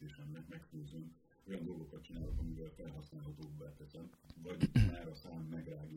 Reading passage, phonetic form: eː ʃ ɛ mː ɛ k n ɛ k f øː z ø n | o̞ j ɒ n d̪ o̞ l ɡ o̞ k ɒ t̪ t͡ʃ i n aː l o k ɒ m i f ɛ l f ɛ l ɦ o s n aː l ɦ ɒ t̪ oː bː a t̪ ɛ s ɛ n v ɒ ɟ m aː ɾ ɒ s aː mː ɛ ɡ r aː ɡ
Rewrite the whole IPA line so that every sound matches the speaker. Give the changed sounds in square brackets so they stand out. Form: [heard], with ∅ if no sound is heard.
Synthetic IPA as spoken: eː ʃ ɛ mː ɛ k [m] ɛ k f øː z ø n | o̞ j ɒ n d̪ o̞ l ɡ o̞ k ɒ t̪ t͡ʃ i n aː l o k ɒ m i [v] ɛ l f ɛ l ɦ [ɒ] s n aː l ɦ ɒ t̪ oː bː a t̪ ɛ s ɛ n v ɒ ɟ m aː ɾ ɒ s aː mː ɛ ɡ r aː ɡ